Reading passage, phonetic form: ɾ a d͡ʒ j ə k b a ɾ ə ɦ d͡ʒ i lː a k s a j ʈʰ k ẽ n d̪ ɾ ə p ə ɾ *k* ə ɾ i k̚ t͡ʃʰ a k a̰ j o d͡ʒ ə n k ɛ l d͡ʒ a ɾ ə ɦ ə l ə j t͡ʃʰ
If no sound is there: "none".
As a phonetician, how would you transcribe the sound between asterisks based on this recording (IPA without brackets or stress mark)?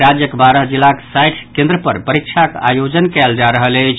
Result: p